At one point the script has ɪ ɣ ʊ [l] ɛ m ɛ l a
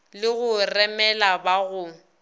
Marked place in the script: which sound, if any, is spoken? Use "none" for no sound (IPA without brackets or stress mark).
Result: r